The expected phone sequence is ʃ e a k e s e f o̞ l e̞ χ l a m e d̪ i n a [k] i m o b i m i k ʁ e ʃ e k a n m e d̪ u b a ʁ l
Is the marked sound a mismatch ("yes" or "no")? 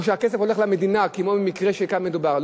no